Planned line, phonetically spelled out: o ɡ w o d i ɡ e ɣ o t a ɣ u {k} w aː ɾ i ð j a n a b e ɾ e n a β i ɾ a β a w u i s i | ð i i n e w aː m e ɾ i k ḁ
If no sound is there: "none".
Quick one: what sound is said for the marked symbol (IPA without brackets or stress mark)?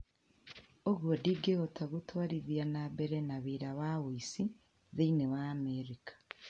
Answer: t